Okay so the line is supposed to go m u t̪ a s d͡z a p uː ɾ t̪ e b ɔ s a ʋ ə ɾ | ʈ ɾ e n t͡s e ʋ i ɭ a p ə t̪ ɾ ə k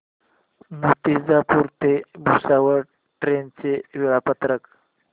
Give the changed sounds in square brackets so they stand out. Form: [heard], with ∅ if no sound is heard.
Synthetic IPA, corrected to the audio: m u t̪ [i] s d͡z a p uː ɾ t̪ e b [u] s a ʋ ə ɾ | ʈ ɾ e n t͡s e ʋ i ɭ a p ə t̪ ɾ ə k